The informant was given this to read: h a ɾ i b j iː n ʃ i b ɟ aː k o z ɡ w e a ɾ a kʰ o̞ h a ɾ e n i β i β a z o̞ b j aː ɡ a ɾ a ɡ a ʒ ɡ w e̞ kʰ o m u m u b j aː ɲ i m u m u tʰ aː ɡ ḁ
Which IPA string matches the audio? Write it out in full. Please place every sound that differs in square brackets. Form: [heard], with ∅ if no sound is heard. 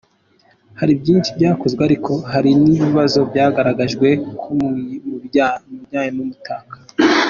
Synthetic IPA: h a ɾ i b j iː n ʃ i b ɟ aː k o z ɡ w e a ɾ [i] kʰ o̞ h a ɾ [i] n i β i β a z o̞ b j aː ɡ a ɾ a ɡ a ʒ ɡ w e̞ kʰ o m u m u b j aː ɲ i m u m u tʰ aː [k] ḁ

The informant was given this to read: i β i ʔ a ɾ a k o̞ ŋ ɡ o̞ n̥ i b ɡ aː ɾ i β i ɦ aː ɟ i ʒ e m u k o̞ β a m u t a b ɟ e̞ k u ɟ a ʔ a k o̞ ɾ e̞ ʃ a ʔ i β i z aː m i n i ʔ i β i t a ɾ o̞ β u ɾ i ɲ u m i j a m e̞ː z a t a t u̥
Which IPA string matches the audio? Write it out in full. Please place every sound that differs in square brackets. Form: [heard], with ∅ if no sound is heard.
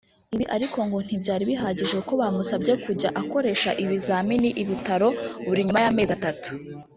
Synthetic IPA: i β i ʔ a ɾ [i] k o̞ ŋ ɡ o̞ n̥ i b [ɟ] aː ɾ i β i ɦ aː ɟ i ʒ e [∅] u k o̞ β a m u [s] a b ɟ e̞ k u ɟ a ʔ a k o̞ ɾ e̞ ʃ a ʔ i β i z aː m i n i ʔ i β i t a ɾ o̞ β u ɾ i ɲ u m [a] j a m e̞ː z a t a t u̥

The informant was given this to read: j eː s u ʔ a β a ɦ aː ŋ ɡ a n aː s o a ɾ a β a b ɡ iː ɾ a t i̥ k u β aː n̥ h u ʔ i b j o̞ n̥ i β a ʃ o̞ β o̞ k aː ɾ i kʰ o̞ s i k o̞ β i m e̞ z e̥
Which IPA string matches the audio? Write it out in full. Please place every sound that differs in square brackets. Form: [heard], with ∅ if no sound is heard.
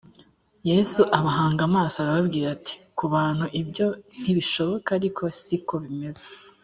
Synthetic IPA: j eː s u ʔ a β a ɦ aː ŋ ɡ a [m] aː s o a ɾ a β a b ɡ iː ɾ a t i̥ k u β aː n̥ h u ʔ i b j o̞ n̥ i β [i] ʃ o̞ β o̞ k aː ɾ i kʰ o̞ s i k o̞ β i m e̞ z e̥

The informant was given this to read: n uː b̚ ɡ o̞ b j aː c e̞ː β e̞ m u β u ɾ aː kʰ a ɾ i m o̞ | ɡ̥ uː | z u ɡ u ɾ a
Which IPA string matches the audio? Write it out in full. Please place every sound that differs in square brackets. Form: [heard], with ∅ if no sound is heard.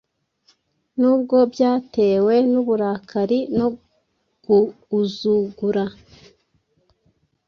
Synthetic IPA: n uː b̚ ɡ o̞ b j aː [t] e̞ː [w] e̞ [n] u β u ɾ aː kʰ a ɾ i [n] o̞ | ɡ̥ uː | z u ɡ u ɾ a

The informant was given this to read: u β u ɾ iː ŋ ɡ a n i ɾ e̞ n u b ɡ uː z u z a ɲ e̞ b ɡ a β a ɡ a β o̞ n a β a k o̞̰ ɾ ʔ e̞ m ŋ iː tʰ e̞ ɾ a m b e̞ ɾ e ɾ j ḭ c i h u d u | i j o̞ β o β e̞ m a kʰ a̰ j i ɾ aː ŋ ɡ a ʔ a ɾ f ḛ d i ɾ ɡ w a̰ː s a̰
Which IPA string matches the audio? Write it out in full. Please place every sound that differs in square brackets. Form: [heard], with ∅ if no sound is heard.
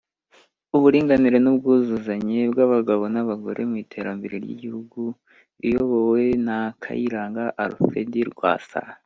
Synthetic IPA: u β u ɾ iː ŋ ɡ a n i ɾ e̞ n u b ɡ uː z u z a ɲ e̞ b ɡ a β a ɡ a β o̞ n a β a [ɡ] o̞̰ ɾ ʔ e̞ m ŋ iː tʰ e̞ ɾ a m b e̞ ɾ e ɾ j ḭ [ɟ] i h u [ɡ] u | i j o̞ β o [w] e̞ [n] a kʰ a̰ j i ɾ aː ŋ ɡ a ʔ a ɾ f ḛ d i ɾ ɡ w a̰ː s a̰

